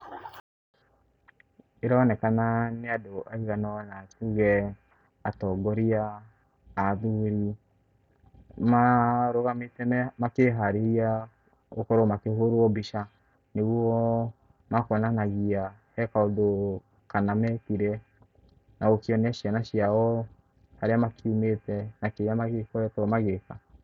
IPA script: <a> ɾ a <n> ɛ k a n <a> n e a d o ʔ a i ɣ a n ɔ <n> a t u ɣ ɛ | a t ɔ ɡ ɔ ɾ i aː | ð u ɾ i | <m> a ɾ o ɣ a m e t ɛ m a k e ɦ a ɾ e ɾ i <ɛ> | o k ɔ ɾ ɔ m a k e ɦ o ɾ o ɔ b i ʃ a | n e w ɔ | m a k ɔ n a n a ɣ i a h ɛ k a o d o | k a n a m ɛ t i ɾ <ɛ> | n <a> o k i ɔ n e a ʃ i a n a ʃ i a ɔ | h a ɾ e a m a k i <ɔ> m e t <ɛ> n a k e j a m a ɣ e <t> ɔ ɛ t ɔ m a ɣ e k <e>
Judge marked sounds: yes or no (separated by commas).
no, yes, yes, yes, yes, no, yes, yes, no, yes, no, no